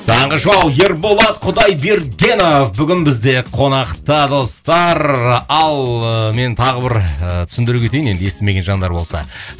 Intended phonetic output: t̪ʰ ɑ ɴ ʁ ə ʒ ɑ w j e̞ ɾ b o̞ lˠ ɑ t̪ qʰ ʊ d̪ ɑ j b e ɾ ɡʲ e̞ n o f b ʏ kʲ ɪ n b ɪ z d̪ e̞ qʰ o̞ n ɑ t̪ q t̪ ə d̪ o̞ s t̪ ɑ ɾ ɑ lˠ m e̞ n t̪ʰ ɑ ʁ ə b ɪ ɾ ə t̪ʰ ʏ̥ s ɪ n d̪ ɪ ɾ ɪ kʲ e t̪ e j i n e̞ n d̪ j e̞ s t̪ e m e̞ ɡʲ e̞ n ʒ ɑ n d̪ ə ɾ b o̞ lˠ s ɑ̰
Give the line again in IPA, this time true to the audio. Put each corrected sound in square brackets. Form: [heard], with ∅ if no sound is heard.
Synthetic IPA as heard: t̪ʰ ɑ ɴ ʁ ə ʒ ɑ w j e̞ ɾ b o̞ lˠ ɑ t̪ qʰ ʊ d̪ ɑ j b e ɾ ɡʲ e̞ n o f b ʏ [ɡʲ] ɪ n b ɪ z d̪ e̞ qʰ o̞ n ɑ [∅] q t̪ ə d̪ o̞ s t̪ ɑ ɾ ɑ lˠ m e̞ n t̪ʰ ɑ ʁ ə b ɪ ɾ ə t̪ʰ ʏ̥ s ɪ n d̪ ɪ ɾ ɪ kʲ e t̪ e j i n e̞ n d̪ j e̞ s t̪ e m e̞ ɡʲ e̞ n ʒ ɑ n d̪ [ɑ] ɾ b o̞ lˠ s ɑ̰